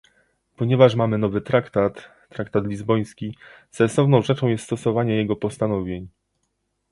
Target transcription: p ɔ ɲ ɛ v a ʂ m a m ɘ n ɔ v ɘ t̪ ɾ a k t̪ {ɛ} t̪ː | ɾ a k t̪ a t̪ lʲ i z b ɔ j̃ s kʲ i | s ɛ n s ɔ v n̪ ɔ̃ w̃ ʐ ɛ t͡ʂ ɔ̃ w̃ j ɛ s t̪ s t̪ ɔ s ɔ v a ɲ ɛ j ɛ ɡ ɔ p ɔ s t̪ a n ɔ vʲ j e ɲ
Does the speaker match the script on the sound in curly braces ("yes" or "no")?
no